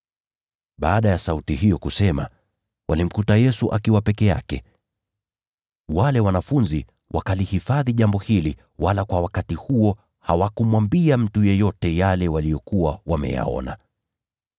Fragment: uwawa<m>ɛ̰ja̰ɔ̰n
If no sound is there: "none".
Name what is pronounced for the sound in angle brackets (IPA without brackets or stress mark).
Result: m